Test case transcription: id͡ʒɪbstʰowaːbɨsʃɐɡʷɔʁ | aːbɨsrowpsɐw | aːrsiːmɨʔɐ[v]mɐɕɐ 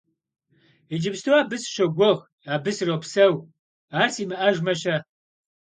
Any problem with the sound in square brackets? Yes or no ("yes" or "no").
yes